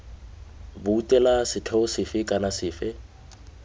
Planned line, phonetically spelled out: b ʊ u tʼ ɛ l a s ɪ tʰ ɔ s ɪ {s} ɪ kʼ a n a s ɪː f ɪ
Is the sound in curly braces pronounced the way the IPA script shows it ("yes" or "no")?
no